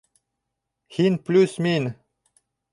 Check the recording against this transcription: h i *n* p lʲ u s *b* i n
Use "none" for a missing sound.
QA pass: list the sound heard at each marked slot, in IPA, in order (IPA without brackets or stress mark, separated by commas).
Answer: n, m